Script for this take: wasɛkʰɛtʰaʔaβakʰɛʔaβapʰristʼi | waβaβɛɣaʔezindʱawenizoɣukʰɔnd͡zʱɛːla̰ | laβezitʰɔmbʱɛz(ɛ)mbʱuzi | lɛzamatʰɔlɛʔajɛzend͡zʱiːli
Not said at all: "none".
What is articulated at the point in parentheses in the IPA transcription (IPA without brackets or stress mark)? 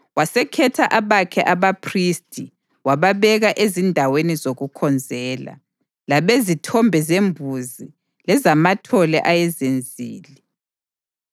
e